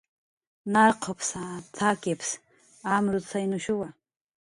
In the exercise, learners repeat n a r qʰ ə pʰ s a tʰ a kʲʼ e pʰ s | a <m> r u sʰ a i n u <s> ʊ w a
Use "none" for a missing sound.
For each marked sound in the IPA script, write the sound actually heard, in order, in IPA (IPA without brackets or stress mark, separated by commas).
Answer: m, ʃ